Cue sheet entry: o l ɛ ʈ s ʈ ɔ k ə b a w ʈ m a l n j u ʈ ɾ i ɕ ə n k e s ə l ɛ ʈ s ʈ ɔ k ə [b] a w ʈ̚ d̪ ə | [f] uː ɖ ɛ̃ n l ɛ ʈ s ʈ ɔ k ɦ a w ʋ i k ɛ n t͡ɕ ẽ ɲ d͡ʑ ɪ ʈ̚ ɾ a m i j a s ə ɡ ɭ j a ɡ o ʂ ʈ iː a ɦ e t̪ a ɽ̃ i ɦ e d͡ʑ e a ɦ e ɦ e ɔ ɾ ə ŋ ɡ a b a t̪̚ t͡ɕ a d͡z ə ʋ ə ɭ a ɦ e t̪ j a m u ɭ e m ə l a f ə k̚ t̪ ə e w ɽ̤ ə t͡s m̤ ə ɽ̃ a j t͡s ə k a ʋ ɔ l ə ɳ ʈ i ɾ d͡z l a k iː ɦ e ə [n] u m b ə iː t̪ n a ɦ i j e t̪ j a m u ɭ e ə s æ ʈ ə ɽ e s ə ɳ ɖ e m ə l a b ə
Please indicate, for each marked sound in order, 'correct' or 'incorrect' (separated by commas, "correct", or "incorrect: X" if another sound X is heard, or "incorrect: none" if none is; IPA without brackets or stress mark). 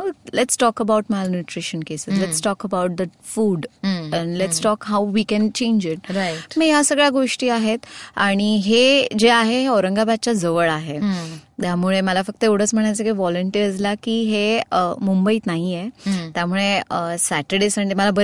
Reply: correct, correct, incorrect: m